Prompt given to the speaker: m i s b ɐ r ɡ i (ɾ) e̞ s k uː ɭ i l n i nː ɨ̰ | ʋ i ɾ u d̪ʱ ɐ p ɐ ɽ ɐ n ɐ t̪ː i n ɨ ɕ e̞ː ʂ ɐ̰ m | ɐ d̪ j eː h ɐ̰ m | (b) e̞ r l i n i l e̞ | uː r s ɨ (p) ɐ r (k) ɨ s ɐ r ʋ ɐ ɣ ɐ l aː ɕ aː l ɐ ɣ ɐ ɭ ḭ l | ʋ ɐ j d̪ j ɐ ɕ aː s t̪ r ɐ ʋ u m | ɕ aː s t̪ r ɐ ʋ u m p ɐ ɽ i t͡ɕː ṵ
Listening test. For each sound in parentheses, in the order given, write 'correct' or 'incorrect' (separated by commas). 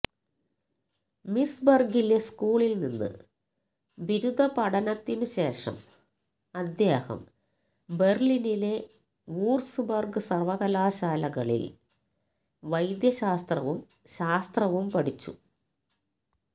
incorrect, correct, incorrect, incorrect